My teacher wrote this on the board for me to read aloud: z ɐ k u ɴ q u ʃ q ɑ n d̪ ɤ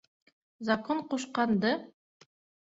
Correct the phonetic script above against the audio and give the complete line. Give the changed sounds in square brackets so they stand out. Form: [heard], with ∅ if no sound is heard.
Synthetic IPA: z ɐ k [o] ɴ q u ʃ q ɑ n d̪ ɤ